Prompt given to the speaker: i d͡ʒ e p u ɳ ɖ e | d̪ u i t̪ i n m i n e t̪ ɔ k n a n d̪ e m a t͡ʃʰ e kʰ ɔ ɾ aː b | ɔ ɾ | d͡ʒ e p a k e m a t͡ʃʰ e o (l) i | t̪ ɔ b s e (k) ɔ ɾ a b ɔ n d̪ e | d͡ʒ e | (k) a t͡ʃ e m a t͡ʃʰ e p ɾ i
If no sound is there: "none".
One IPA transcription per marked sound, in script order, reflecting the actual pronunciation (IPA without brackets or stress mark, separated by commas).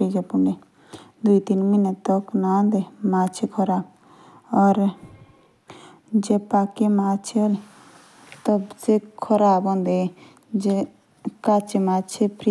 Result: l, kʰ, k